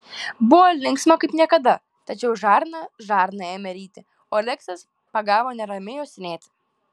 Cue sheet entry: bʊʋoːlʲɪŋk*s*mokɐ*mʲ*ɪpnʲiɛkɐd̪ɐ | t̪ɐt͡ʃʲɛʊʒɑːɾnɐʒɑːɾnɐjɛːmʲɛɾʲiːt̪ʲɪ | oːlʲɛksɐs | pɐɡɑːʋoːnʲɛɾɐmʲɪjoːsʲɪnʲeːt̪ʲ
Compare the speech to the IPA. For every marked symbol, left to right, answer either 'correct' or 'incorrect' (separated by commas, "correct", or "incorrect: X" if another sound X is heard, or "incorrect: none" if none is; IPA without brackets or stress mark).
correct, incorrect: none